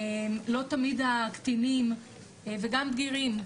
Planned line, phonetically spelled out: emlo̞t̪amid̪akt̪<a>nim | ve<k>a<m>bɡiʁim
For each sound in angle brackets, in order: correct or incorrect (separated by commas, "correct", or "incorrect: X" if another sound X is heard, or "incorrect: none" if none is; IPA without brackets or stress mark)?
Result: incorrect: i, incorrect: ɡ, correct